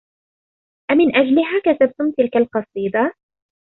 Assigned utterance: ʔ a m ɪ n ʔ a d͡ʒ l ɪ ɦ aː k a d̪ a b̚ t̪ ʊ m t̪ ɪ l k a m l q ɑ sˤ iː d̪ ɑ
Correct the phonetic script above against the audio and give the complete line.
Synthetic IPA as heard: ʔ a m ɪ n ʔ a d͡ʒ l ɪ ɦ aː k a t̪ a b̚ t̪ ʊ m t̪ ɪ l k a l q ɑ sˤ iː d̪ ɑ